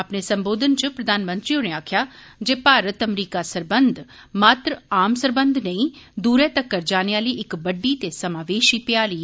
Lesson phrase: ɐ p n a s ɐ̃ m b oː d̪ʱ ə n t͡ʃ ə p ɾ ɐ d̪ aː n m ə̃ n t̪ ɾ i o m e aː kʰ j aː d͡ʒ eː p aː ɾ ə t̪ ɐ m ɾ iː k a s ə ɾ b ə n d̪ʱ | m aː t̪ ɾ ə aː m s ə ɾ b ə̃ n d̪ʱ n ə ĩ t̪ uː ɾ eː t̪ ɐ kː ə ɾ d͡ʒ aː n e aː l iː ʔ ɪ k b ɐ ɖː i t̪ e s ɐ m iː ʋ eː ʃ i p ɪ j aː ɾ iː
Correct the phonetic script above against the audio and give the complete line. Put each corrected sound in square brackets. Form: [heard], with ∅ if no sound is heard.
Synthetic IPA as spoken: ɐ p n [e] s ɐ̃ m b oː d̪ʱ ə n t͡ʃ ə p ɾ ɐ d̪ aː n m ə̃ n t̪ ɾ i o [n] e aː kʰ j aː d͡ʒ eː p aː ɾ ə t̪ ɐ m ɾ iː k a s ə ɾ b ə n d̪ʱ | m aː t̪ ɾ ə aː m s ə ɾ b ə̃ n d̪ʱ n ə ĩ [d̪] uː ɾ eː t̪ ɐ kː ə ɾ d͡ʒ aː n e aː l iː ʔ ɪ k b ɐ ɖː i t̪ e s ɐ m [aː] ʋ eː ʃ i p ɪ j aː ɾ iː